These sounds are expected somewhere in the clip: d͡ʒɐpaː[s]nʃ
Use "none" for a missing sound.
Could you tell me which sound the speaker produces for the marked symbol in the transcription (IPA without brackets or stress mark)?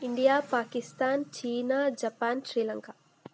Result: none